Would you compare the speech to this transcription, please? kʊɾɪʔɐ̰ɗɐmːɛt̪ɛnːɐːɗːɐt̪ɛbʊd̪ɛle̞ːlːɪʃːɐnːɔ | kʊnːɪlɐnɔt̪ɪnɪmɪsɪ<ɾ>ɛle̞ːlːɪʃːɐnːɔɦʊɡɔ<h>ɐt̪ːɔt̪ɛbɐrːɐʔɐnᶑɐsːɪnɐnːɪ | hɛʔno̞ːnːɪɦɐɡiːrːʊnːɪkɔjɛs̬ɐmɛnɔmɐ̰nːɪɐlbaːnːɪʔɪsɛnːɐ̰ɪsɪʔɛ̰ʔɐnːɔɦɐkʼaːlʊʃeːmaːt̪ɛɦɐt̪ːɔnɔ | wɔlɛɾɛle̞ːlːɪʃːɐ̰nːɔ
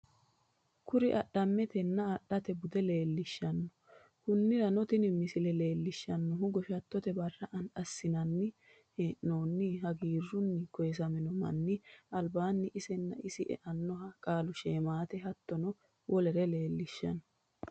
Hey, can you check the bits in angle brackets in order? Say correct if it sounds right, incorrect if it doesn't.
incorrect: l, incorrect: ʃ

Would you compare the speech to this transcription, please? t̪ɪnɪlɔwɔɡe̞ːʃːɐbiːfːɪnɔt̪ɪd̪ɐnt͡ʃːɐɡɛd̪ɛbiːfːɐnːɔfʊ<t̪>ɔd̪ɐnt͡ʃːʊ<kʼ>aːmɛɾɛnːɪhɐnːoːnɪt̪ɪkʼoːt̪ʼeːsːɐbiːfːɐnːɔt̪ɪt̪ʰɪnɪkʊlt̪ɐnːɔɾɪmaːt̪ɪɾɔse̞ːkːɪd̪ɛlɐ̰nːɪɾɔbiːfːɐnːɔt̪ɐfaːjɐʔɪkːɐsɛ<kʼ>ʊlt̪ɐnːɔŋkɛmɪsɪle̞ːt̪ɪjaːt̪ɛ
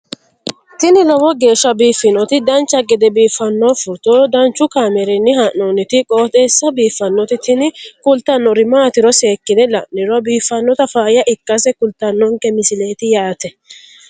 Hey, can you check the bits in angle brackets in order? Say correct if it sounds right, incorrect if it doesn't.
correct, incorrect: k, incorrect: k

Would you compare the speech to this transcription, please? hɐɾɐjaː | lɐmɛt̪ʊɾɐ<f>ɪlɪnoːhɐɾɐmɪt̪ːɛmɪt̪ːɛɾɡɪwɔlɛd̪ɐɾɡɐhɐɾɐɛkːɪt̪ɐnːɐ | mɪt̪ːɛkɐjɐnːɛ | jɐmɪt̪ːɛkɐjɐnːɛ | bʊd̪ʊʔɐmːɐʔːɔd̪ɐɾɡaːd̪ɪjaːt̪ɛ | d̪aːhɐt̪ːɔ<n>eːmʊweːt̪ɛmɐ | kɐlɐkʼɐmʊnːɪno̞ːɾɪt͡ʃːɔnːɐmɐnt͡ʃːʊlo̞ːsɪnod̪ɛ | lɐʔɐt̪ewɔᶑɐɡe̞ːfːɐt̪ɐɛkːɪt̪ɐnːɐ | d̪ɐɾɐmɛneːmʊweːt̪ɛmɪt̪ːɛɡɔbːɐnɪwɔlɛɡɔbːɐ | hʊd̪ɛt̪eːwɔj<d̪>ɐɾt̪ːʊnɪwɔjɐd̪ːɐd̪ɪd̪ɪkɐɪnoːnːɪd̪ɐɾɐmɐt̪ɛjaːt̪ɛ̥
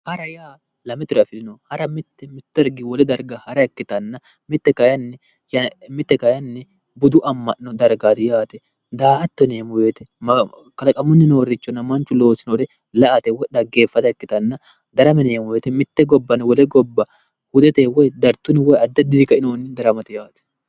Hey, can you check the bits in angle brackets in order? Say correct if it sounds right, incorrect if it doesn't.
correct, correct, correct

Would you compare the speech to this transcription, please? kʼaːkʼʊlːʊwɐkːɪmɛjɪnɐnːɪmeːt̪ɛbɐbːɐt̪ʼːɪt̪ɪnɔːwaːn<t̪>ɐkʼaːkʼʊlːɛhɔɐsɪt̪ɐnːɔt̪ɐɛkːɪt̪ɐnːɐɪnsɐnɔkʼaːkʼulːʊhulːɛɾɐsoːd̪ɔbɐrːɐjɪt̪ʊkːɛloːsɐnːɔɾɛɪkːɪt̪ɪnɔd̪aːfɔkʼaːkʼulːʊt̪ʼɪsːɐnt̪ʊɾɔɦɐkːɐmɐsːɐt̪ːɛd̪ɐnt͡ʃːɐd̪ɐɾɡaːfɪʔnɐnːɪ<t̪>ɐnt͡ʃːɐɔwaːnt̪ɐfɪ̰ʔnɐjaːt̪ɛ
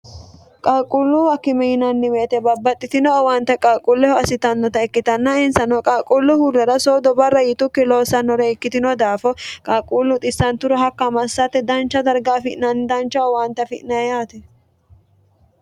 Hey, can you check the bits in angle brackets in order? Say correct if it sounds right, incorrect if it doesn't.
correct, incorrect: d̪

